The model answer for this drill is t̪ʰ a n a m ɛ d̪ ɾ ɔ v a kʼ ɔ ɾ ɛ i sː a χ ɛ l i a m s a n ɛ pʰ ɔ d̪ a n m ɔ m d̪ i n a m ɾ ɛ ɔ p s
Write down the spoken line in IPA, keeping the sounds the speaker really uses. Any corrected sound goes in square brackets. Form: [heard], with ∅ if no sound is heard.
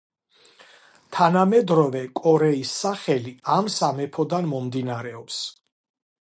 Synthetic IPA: t̪ʰ a n a m ɛ d̪ ɾ ɔ v [ɛ] kʼ ɔ ɾ ɛ i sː a χ ɛ l i a m s a [m] ɛ pʰ ɔ d̪ a n m ɔ m d̪ i n a [∅] ɾ ɛ ɔ p s